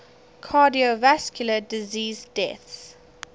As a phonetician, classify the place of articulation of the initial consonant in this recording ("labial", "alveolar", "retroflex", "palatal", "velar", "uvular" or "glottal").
velar